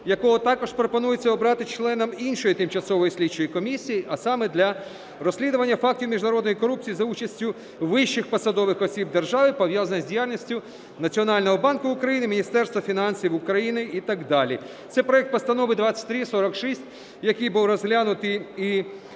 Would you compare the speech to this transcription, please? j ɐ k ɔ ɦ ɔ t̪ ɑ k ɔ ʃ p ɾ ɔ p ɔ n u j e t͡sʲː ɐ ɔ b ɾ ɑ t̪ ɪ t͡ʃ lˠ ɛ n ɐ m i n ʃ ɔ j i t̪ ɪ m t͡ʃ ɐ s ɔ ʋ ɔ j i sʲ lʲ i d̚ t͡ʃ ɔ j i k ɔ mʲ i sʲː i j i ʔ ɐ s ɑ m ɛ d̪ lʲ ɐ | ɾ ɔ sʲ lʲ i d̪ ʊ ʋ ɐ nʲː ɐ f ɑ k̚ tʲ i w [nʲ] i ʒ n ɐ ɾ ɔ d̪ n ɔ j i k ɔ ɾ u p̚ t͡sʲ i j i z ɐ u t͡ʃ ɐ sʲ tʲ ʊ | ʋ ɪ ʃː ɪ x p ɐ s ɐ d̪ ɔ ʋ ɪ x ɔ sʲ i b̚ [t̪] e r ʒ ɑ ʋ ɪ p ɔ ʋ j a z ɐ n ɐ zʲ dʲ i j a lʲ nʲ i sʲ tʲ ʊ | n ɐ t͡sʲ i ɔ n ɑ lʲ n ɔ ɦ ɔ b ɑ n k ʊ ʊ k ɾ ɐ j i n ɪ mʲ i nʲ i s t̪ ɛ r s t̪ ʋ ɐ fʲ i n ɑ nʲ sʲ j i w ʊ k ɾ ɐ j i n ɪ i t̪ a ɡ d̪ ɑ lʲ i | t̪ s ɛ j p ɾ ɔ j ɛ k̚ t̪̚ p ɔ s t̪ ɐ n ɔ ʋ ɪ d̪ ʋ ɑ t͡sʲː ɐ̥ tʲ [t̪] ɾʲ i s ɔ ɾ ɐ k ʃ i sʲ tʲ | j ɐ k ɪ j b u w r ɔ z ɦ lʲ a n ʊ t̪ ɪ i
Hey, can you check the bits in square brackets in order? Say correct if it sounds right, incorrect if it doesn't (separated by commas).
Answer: incorrect, incorrect, correct